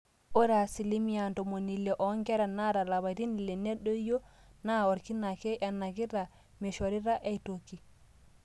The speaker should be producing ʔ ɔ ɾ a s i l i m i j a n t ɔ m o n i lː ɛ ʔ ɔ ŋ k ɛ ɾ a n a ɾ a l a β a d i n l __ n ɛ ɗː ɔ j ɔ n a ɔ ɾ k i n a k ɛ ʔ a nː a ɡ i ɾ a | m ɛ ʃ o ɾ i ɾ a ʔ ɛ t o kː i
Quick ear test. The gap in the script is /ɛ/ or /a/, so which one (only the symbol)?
ɛ